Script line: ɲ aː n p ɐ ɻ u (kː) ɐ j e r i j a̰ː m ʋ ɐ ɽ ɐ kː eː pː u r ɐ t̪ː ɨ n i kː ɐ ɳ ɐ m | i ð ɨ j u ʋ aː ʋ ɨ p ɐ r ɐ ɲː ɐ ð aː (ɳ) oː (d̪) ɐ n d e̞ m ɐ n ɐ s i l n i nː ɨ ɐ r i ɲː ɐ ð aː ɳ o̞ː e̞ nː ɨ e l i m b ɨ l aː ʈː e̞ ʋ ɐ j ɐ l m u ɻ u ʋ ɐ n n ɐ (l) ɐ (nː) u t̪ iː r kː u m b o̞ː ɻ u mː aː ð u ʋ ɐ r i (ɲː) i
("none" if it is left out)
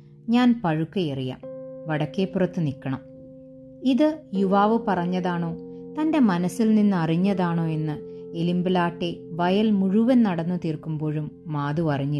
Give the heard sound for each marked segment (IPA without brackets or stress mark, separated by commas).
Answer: kː, ɳ, t̪, ɽ, nː, ɲː